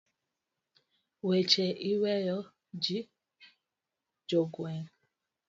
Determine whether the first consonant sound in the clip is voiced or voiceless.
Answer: voiced